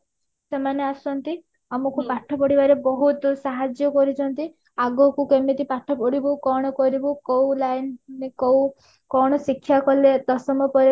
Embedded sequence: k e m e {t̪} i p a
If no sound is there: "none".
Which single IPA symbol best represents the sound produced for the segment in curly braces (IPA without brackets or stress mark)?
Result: t̪